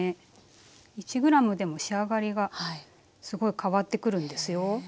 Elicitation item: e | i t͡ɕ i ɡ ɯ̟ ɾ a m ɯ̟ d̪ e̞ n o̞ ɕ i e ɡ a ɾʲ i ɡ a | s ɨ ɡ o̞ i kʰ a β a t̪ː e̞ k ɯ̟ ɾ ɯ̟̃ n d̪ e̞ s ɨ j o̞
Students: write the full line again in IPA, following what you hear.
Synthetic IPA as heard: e | i t͡ɕ i ɡ ɯ̟ ɾ a m ɯ̟ d̪ e̞ m o̞ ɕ i a ɡ a ɾʲ i ɡ a | s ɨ ɡ o̞ i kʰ a β a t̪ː e̞ k ɯ̟ ɾ ɯ̟̃ n d̪ e̞ s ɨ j o̞